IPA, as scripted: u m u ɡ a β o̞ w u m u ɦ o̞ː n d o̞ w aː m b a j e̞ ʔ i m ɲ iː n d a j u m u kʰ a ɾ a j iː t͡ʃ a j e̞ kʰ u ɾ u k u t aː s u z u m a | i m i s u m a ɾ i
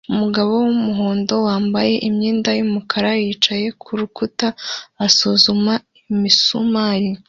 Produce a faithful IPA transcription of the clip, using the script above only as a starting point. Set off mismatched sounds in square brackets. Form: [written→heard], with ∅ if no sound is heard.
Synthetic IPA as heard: u m u ɡ a β o̞ w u m u ɦ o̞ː n d o̞ w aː m b a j e̞ ʔ i m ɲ iː n d a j u m u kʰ a ɾ a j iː t͡ʃ a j e̞ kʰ u ɾ u k u t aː s u z u m a | i m i s u m a ɾ i